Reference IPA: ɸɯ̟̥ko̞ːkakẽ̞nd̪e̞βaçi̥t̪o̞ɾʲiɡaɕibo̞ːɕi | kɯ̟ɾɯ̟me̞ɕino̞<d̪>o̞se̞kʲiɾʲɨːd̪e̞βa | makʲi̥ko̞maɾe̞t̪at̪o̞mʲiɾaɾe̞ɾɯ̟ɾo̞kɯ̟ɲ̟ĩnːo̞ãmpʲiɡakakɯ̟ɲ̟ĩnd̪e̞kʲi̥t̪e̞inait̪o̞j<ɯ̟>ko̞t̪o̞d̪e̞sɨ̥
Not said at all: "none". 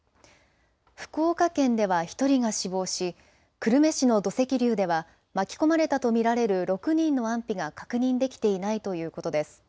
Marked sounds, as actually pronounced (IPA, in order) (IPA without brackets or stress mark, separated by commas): d̪, ɯ̟ː